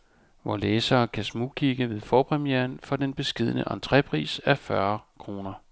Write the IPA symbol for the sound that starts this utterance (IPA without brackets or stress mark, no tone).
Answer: ʋ